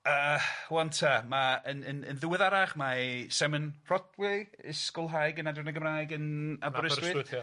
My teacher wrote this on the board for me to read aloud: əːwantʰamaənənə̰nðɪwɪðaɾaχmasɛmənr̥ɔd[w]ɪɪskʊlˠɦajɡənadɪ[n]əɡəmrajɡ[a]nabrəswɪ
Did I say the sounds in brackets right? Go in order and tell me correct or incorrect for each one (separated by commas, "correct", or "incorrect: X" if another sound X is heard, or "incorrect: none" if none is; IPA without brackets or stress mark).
correct, correct, incorrect: ə